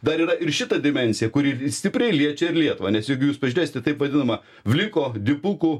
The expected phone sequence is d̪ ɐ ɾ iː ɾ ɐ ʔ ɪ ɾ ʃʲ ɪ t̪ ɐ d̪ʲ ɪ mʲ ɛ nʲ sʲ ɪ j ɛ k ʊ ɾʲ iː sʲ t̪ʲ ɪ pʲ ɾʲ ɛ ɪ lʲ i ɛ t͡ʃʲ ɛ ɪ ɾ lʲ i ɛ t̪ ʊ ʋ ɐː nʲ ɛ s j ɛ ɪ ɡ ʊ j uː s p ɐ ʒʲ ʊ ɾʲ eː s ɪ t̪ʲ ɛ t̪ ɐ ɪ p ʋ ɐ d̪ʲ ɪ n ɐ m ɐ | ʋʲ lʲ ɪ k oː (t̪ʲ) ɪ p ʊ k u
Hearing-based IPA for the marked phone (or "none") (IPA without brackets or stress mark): d̪ʲ